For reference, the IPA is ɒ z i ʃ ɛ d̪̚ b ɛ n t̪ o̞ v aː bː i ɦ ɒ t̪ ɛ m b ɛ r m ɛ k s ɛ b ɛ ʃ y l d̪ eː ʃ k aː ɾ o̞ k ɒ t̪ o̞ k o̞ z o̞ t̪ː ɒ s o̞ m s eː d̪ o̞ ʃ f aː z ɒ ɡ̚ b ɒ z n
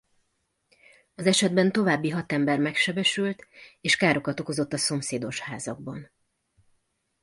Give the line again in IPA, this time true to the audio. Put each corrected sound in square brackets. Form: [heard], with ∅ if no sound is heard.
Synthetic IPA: ɒ z [ɛ] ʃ ɛ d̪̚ b ɛ n t̪ o̞ v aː bː i ɦ ɒ t̪ ɛ m b ɛ r m ɛ k [ʃ] ɛ b ɛ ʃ y l [t̪] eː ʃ k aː ɾ o̞ k ɒ t̪ o̞ k o̞ z o̞ t̪ː ɒ s o̞ m s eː d̪ o̞ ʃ [h] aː z ɒ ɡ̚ b ɒ [∅] n

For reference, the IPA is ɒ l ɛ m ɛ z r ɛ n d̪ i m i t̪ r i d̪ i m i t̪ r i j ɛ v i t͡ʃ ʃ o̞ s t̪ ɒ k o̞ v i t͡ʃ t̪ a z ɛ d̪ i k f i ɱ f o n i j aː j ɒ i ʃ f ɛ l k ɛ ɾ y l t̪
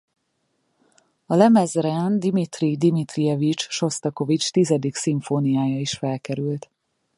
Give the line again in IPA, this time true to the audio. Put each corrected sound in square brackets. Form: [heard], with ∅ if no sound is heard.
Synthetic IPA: ɒ l ɛ m ɛ z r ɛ n d̪ i m i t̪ r i d̪ i m i t̪ r i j ɛ v i t͡ʃ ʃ o̞ s t̪ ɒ k o̞ v i t͡ʃ t̪ [i] z ɛ d̪ i k [s] i ɱ f o n i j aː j ɒ i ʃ f ɛ l k ɛ ɾ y l t̪

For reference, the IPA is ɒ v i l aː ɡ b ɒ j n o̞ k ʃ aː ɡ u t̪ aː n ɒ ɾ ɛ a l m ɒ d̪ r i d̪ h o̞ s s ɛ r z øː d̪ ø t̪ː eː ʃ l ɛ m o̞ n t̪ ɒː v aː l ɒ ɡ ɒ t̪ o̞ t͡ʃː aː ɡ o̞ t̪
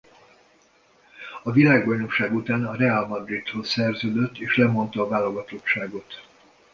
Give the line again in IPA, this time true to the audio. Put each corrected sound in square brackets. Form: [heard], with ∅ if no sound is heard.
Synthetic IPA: ɒ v i l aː ɡ b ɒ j n o̞ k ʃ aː ɡ u t̪ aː n ɒ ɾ ɛ a l m ɒ d̪ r i [t̪] h o̞ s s ɛ r z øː d̪ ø t̪ː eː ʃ l ɛ m o̞ n t̪ ɒː v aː l [o] ɡ ɒ t̪ o̞ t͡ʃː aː ɡ o̞ t̪

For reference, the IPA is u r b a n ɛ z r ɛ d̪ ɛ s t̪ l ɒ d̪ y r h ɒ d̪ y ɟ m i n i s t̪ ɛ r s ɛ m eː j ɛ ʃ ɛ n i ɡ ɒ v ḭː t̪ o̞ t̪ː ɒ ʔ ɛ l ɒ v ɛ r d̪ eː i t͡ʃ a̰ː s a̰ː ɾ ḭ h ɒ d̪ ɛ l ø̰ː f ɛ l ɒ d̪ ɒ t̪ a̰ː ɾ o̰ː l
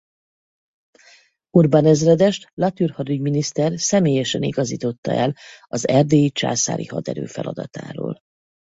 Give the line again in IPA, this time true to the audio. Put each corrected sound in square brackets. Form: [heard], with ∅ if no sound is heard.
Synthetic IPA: u r b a n ɛ z r ɛ d̪ ɛ [ʃ] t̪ l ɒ [t̪] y r h ɒ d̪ y ɟ m i n i s t̪ ɛ r s ɛ m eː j ɛ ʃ ɛ n i ɡ ɒ [z] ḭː t̪ o̞ t̪ː ɒ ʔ ɛ l ɒ [z] ɛ r d̪ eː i t͡ʃ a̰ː s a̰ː ɾ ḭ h ɒ d̪ ɛ [ɾ] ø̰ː f ɛ l ɒ d̪ ɒ t̪ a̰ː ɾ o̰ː l

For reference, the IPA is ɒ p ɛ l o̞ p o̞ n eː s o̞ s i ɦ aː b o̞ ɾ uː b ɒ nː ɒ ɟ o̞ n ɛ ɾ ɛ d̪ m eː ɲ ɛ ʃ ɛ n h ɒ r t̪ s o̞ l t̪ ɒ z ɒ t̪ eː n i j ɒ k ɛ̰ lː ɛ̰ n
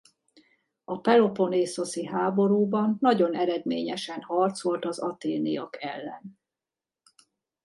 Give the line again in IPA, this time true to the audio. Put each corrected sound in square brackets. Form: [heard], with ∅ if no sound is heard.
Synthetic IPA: ɒ p ɛ l o̞ p o̞ n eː s o̞ s i ɦ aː b o̞ ɾ uː b ɒ nː ɒ ɟ o̞ n ɛ ɾ ɛ d̪ m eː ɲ ɛ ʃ ɛ n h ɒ r t̪ s o̞ l t̪ ɒ z ɒ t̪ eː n i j ɒ k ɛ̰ lː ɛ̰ n

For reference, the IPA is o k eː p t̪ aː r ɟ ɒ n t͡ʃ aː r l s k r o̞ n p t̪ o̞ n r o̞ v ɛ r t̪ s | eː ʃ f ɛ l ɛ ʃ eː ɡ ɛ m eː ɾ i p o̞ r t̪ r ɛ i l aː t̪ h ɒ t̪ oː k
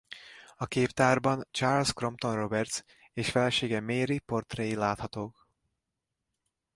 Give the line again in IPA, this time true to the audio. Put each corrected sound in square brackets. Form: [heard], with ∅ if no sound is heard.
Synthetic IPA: [ɒ] k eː p t̪ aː r [b] ɒ n t͡ʃ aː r l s k r o̞ [m] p t̪ o̞ n r o̞ [b] ɛ r t̪ s | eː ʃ f ɛ l ɛ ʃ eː ɡ ɛ m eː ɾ i p o̞ r t̪ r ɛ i l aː t̪ h ɒ t̪ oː k

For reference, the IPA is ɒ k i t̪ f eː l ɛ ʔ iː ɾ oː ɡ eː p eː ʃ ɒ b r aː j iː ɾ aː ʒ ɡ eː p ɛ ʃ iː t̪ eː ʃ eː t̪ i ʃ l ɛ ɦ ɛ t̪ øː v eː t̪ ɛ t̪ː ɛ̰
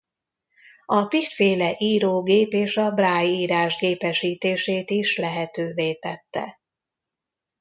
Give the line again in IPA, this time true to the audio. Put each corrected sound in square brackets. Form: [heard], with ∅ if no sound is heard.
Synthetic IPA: ɒ [p] i t̪ f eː l ɛ ʔ iː ɾ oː ɡ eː p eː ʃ ɒ b r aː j iː ɾ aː ʒ ɡ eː p ɛ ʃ iː t̪ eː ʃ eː t̪ i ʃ l ɛ ɦ ɛ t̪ øː v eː t̪ ɛ t̪ː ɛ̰

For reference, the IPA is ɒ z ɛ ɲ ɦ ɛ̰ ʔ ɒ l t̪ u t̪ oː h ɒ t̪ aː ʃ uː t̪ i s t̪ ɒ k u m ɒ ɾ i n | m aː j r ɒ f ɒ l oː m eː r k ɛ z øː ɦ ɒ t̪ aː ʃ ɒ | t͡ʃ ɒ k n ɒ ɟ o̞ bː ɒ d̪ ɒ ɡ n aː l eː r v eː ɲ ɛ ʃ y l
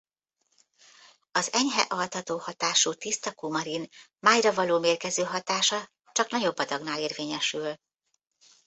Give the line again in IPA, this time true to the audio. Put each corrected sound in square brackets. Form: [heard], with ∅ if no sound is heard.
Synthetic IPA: ɒ z ɛ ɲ ɦ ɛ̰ ʔ ɒ l t̪ [ɒ] t̪ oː h ɒ t̪ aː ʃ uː t̪ i s t̪ ɒ k u m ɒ ɾ i n | m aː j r ɒ [v] ɒ l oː m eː r k ɛ z øː ɦ ɒ t̪ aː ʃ ɒ | t͡ʃ ɒ k n ɒ ɟ o̞ bː ɒ d̪ ɒ ɡ n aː l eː r v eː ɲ ɛ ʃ y l

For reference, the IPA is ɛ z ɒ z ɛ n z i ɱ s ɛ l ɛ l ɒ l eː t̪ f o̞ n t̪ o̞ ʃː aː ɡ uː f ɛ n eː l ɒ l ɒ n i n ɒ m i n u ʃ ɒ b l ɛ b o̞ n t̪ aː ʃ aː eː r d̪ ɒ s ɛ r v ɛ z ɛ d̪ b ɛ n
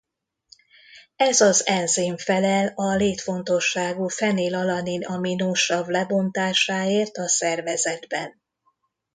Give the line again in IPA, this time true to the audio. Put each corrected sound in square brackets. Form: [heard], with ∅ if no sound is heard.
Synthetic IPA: ɛ z ɒ z ɛ n z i ɱ [f] ɛ l ɛ l ɒ l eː t̪ f o̞ n t̪ o̞ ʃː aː ɡ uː f ɛ n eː l ɒ l ɒ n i n ɒ m i n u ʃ ɒ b l ɛ b o̞ n t̪ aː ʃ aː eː r [t̪] ɒ s ɛ r v ɛ z ɛ d̪ b ɛ n

